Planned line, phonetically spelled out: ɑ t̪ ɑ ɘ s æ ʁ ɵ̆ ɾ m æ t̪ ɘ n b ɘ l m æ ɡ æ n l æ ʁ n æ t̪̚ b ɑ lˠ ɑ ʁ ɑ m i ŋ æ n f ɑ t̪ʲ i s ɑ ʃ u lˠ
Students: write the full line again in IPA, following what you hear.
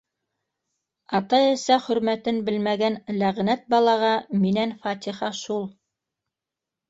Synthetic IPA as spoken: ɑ t̪ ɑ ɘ s æ χ ɵ̆ ɾ m æ t̪ ɘ n b ɘ l m æ ɡ æ n l æ ʁ n æ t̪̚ b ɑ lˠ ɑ ʁ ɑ m i n æ n f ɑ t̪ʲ i χ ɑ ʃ u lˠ